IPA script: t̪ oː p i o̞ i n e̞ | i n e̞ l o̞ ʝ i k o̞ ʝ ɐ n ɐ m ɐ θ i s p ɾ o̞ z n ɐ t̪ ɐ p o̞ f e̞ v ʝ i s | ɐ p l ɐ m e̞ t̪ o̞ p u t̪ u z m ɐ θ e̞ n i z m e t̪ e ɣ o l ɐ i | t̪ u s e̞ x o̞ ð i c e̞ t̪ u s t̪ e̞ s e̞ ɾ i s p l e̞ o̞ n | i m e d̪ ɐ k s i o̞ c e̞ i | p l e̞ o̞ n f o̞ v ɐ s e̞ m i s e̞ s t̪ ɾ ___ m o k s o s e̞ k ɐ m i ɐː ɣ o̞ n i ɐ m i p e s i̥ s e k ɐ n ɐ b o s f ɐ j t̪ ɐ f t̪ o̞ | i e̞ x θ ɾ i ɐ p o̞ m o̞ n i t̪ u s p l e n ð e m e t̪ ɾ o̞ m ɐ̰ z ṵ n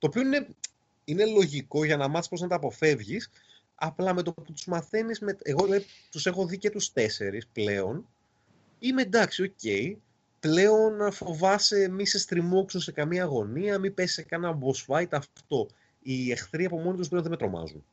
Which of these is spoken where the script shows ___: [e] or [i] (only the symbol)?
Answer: i